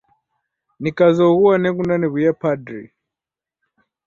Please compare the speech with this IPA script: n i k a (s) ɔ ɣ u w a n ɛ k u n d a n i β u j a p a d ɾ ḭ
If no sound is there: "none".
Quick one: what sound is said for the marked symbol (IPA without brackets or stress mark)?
z